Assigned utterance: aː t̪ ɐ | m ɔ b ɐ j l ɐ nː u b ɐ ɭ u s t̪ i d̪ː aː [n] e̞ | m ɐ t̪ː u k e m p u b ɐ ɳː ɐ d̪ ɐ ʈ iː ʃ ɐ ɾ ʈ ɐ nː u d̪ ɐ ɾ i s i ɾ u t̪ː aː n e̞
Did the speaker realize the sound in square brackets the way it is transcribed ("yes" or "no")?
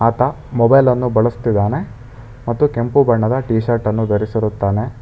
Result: yes